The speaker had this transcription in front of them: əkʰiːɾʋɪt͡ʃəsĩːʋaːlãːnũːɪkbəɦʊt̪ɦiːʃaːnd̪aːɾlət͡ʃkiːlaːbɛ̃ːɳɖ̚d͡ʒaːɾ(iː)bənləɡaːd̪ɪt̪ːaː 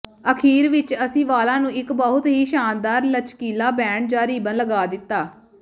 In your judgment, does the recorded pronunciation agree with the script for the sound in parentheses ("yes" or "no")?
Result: yes